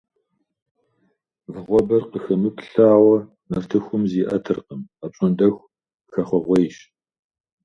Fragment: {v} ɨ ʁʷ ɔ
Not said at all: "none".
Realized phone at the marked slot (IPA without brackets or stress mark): v